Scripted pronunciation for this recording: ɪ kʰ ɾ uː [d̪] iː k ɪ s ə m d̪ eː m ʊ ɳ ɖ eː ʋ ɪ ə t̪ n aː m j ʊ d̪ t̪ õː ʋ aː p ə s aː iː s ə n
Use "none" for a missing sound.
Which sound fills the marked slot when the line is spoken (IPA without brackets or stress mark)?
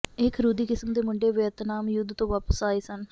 d̪